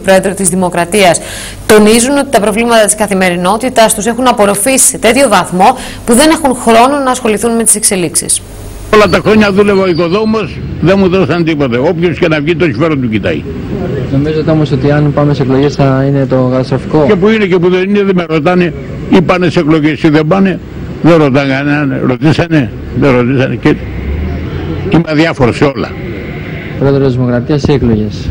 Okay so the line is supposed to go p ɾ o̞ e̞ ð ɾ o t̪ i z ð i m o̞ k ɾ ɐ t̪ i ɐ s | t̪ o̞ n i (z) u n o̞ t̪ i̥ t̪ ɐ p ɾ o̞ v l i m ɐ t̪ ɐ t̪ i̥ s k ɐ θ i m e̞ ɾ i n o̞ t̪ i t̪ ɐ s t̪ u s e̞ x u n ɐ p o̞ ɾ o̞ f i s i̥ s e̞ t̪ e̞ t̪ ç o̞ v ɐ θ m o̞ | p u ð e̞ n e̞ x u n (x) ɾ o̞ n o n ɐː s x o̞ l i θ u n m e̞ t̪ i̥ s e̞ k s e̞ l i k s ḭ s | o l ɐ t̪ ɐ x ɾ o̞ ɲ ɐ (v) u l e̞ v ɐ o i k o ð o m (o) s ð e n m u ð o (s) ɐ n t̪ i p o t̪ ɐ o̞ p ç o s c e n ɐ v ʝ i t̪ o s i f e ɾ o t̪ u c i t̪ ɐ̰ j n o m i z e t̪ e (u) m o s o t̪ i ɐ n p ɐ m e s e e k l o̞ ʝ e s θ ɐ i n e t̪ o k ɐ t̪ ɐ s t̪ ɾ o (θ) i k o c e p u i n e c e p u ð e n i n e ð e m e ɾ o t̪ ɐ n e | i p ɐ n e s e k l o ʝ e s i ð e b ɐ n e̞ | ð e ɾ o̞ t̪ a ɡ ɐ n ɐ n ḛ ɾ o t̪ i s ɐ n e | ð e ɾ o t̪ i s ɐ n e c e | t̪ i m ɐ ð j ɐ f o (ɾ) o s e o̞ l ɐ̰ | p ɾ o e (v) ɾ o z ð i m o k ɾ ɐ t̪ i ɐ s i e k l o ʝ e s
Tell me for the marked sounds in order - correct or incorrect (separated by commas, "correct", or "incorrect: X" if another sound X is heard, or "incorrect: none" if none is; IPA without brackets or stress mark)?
correct, correct, incorrect: ð, correct, correct, incorrect: o, incorrect: f, correct, incorrect: ð